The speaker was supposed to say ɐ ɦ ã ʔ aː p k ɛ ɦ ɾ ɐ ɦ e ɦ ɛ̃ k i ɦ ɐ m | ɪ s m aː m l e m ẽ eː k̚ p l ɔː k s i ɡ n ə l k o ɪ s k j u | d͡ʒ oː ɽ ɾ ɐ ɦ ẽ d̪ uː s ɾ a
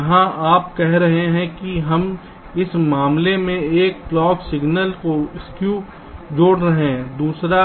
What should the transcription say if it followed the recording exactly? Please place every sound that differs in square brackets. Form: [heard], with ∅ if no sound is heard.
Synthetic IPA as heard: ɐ ɦ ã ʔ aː p k ɛ ɦ ɾ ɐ ɦ e ɦ ɛ̃ k i ɦ ɐ m | ɪ s m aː m l e m ẽ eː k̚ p l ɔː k s [ɪ] ɡ n ə l k o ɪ s k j u | d͡ʒ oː ɽ ɾ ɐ ɦ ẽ d̪ uː s ɾ a